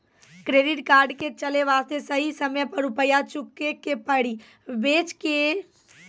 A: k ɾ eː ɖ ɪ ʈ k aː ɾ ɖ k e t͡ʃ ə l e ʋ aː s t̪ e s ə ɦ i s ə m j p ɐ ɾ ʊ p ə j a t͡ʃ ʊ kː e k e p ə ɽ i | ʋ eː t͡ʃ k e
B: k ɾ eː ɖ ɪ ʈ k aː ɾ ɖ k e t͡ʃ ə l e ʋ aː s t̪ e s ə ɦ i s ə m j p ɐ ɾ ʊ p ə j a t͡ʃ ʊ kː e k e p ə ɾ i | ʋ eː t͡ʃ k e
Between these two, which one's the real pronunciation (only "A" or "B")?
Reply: A